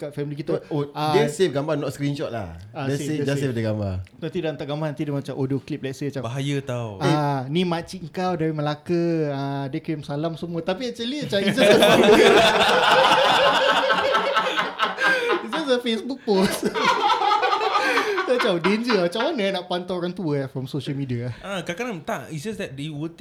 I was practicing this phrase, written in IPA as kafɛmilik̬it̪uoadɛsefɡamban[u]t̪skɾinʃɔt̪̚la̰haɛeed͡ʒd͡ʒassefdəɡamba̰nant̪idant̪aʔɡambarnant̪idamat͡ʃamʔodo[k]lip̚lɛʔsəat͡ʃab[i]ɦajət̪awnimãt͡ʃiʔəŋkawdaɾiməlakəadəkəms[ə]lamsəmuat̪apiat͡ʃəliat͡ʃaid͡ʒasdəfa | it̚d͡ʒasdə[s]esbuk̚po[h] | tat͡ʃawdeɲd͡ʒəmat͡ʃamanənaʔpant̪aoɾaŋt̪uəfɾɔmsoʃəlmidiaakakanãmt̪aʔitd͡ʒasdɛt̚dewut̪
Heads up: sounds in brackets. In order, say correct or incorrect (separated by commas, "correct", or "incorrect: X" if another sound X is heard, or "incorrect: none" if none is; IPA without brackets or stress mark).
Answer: incorrect: ɔ, correct, incorrect: a, incorrect: a, incorrect: f, incorrect: s